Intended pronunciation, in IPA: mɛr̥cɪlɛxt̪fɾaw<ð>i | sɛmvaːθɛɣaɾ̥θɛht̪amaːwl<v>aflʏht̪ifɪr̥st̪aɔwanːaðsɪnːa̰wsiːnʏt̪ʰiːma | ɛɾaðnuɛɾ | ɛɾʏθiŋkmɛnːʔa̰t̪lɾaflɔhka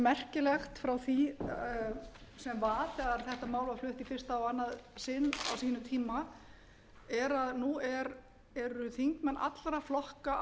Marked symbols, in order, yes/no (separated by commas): no, yes